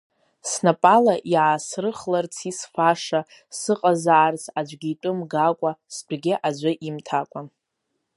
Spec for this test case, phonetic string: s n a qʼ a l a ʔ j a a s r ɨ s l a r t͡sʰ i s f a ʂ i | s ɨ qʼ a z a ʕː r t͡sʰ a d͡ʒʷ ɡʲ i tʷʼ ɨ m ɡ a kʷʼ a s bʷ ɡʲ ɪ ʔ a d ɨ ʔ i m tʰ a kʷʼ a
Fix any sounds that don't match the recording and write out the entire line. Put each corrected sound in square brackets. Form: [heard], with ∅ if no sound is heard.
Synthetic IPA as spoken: s n a [pʼ] a l a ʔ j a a s r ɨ [χ] l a r t͡sʰ i s f a ʂ [a] | s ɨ qʼ a z a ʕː r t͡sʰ a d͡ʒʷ ɡʲ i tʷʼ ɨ m ɡ a kʷʼ a s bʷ ɡʲ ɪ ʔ a [d͡ʒʷ] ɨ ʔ i m tʰ a kʷʼ a